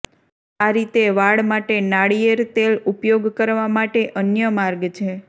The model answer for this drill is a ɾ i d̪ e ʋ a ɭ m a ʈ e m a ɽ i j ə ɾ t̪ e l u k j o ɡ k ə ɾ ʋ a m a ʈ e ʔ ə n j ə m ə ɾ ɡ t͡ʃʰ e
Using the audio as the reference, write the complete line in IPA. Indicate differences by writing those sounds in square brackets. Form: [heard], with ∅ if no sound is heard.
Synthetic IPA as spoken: a ɾ i [t̪] e ʋ a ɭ m a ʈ e [n] a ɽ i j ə ɾ t̪ e l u [p] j o ɡ k ə ɾ ʋ a m a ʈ e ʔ ə n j ə m [a] ɾ ɡ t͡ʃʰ e